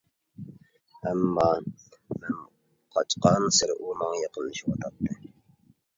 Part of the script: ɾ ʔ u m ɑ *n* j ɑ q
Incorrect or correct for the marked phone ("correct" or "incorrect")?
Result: incorrect